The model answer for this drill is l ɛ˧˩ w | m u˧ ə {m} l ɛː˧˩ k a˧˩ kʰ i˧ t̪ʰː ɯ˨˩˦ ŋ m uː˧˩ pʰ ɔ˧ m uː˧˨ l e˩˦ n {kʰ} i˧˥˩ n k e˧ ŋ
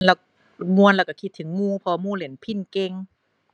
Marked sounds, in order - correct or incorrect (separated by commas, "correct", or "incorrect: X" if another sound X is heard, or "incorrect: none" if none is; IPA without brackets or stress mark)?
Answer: incorrect: n, incorrect: pʰ